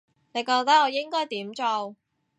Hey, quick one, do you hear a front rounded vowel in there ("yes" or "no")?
no